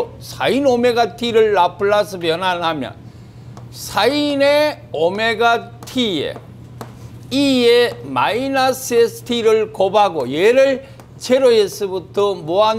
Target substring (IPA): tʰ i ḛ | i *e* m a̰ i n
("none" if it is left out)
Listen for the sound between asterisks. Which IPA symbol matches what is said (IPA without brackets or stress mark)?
e